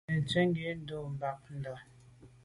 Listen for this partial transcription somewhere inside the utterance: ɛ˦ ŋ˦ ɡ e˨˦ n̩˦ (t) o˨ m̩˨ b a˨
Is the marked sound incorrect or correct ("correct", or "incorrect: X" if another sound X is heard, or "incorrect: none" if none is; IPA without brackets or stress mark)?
incorrect: d